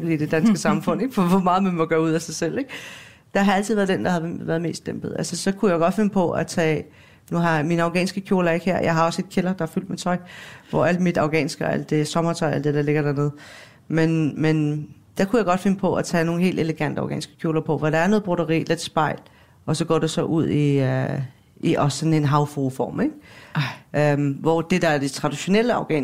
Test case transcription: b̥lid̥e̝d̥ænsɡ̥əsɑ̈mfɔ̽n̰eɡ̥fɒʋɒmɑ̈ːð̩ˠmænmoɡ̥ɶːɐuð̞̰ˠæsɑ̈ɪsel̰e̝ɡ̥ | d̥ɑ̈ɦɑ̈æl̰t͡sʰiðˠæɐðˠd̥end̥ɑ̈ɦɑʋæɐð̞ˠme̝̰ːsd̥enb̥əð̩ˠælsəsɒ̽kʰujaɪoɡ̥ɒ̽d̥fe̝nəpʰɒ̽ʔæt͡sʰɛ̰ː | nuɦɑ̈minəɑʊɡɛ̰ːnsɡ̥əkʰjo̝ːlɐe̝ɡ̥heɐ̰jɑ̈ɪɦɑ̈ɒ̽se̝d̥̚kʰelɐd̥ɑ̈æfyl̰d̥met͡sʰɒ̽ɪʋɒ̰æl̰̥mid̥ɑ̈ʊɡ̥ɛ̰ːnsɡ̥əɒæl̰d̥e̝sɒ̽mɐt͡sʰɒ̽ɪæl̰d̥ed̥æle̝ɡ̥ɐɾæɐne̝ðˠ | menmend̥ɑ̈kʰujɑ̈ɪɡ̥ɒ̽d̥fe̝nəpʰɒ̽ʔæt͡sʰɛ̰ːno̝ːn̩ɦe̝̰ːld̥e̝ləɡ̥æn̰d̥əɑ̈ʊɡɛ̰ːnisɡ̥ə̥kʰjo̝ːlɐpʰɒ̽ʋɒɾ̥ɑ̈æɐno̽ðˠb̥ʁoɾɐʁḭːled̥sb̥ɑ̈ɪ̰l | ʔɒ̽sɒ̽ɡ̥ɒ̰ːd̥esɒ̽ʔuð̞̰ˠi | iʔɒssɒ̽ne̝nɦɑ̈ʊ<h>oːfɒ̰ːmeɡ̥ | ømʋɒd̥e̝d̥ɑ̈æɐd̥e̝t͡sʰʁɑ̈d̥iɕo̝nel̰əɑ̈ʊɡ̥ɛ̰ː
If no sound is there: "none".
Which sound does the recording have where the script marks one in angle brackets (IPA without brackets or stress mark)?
f